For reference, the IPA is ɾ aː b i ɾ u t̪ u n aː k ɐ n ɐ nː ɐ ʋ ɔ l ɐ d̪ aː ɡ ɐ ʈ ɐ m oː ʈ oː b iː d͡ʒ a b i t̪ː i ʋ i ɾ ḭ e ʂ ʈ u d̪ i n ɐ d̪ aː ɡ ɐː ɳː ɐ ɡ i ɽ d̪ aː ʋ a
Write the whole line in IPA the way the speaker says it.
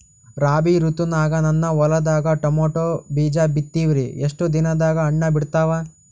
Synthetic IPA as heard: ɾ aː b i ɾ u t̪ u n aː ɡ ɐ n ɐ nː ɐ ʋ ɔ l ɐ d̪ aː ɡ ɐ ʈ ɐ m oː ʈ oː b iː d͡ʒ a b i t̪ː i ʋ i ɾ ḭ e ʂ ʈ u d̪ i n ɐ d̪ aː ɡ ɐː ɳː ɐ b i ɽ t̪ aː ʋ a